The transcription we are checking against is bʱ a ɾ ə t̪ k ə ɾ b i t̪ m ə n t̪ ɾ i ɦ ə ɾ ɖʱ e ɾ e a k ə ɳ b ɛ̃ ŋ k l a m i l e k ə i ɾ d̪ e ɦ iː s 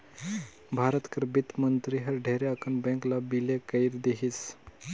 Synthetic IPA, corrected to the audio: bʱ a ɾ ə t̪ k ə ɾ b i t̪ m ə n t̪ ɾ i ɦ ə ɾ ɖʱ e ɾ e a k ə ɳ b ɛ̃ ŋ k l a b i l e k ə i ɾ d̪ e ɦ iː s